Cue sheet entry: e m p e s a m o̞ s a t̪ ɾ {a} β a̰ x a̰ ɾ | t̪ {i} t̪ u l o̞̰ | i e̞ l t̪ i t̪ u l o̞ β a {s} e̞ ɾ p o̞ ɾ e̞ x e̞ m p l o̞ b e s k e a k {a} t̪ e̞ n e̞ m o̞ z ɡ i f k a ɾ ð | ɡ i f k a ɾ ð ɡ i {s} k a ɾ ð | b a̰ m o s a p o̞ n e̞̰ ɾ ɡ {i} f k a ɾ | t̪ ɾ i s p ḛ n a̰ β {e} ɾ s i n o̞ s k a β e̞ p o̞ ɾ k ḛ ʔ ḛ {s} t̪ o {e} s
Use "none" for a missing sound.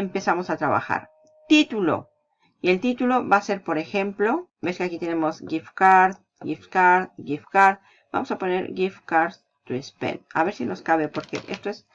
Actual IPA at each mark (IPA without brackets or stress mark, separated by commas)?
a, i, s, i, f, i, e, s, e